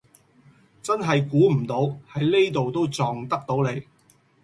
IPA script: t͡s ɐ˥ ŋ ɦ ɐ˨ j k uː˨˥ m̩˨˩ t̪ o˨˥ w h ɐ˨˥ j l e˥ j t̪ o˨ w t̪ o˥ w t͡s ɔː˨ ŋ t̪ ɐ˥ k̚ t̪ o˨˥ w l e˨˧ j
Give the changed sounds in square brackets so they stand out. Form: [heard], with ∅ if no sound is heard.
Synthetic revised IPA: t͡s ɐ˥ [n] ɦ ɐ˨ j k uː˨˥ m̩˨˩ t̪ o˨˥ w h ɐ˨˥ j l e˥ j t̪ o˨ w t̪ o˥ w t͡s ɔː˨ ŋ t̪ ɐ˥ k̚ t̪ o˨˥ w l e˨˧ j